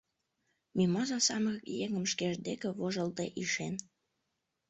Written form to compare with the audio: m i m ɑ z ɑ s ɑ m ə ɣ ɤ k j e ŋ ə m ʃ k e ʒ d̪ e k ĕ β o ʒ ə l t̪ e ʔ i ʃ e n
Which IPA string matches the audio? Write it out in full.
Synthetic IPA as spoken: m i m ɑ z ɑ s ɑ m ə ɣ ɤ k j e ŋ ə m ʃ k e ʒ d̪ e k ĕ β o ʒ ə l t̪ e ʔ i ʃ e n